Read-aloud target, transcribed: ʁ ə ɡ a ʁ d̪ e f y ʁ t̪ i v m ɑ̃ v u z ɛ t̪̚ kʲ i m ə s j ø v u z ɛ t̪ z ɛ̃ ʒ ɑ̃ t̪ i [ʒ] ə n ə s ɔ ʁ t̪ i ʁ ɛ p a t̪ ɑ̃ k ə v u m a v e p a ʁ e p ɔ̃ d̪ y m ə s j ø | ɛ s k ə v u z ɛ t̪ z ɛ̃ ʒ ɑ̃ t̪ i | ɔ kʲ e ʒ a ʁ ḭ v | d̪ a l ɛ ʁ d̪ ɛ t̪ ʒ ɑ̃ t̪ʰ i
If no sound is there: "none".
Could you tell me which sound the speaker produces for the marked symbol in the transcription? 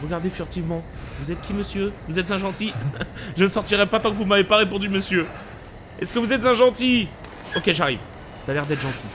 ʒ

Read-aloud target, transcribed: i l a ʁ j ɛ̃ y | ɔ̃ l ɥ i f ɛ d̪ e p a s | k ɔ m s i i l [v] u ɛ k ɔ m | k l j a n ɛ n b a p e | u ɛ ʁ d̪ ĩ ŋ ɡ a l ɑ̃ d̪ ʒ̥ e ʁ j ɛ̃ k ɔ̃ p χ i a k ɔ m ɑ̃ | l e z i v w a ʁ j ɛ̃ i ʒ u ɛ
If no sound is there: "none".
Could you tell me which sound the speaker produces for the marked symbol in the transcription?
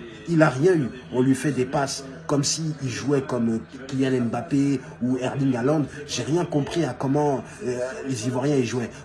ʒ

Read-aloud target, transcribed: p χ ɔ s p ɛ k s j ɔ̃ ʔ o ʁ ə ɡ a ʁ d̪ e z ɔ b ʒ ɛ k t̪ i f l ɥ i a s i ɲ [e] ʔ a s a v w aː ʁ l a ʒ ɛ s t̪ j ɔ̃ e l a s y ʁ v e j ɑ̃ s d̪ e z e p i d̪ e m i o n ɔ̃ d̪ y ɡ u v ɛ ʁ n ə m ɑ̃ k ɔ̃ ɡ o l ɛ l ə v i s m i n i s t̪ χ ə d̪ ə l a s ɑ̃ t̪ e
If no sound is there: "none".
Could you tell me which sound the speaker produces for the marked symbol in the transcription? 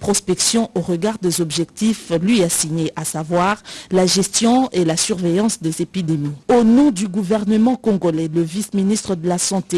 e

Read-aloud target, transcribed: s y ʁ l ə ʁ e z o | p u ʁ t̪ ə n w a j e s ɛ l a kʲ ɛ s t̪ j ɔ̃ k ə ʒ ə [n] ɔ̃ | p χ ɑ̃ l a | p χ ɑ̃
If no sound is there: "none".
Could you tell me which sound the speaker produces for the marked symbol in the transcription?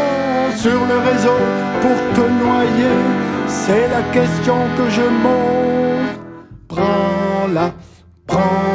m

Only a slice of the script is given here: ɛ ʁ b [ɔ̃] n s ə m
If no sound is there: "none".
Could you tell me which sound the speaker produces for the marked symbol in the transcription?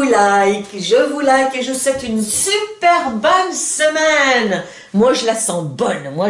ɔ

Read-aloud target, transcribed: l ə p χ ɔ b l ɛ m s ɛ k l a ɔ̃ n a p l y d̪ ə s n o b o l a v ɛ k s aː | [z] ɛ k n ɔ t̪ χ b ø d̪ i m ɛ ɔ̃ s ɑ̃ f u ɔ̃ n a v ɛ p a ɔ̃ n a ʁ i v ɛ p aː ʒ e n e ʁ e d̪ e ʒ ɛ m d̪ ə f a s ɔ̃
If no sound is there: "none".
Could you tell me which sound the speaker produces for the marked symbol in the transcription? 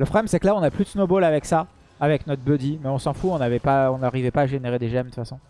v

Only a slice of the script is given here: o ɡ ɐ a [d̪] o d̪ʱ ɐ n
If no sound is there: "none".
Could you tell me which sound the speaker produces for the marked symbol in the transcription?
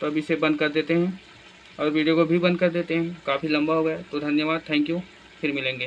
t̪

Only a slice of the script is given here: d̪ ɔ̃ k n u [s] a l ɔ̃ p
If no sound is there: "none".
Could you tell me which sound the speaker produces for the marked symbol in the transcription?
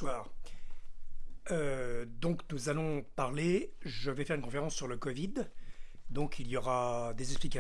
z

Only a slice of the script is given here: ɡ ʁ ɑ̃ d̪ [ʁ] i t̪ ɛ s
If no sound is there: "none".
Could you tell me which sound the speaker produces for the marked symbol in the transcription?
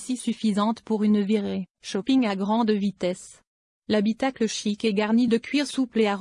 v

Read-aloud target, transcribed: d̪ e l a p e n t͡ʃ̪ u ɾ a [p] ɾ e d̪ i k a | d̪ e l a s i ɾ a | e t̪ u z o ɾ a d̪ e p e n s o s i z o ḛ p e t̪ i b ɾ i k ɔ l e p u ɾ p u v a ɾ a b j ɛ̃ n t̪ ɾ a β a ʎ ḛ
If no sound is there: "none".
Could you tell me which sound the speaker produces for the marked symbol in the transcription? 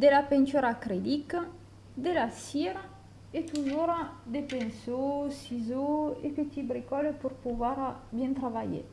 k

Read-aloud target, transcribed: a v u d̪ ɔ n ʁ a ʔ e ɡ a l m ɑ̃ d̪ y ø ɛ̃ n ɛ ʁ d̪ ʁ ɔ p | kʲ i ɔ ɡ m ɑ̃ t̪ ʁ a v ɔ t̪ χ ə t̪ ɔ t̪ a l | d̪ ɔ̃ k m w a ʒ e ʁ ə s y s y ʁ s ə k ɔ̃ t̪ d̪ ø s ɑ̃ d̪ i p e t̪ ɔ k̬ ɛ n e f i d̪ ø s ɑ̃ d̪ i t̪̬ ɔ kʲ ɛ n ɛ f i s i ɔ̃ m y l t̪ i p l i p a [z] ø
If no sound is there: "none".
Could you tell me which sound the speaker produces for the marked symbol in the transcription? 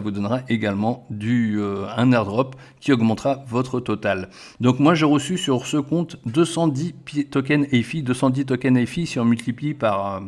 ʁ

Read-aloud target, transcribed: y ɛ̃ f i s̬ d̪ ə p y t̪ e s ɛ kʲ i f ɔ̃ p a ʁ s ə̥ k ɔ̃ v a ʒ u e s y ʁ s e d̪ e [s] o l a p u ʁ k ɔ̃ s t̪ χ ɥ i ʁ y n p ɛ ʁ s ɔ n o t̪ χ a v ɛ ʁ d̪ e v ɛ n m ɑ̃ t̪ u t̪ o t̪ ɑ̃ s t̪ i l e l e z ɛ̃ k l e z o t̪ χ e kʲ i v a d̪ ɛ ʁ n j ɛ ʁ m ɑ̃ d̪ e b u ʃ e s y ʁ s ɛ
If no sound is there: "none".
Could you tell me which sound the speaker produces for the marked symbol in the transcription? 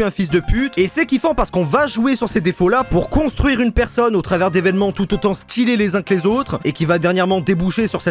f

